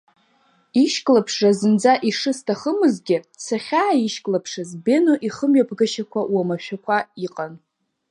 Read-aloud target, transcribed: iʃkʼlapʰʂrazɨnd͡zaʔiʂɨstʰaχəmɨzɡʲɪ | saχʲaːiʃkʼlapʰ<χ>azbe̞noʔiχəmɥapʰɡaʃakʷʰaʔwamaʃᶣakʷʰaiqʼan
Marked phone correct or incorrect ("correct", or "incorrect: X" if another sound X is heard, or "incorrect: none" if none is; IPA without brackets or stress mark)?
incorrect: ʂ